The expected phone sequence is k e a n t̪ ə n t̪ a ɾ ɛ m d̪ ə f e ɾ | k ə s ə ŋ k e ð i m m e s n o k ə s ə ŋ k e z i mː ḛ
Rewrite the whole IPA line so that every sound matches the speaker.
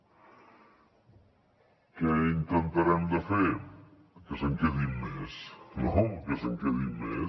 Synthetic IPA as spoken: k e i n t̪ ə n t̪ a ɾ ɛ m d̪ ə f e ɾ | k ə s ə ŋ k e ð i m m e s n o k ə s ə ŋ k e ð i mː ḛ